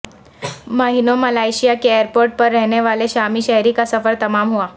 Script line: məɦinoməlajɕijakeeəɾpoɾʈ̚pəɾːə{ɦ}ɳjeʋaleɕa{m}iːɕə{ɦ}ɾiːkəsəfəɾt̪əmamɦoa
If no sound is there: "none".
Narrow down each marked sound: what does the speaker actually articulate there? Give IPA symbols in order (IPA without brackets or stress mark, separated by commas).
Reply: ɦ, m, ɦ